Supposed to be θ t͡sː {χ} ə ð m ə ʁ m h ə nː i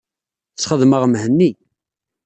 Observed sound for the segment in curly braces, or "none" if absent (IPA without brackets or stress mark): χ